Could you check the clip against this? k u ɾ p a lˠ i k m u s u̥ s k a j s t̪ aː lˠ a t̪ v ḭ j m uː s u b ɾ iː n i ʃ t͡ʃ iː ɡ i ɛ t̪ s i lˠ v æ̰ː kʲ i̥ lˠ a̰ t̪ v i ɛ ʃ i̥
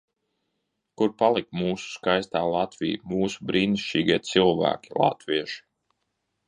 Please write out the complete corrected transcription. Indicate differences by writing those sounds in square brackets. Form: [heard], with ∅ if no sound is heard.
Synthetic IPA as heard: k u ɾ p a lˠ i k m [uː] s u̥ s k a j s t̪ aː lˠ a t̪ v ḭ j m uː s u b ɾ iː n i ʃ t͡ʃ iː ɡ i ɛ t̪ s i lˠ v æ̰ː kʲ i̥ lˠ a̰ t̪ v i ɛ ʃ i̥